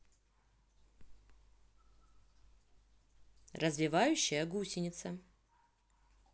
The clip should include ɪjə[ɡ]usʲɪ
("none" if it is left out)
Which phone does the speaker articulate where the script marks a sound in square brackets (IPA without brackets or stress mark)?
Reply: ɡ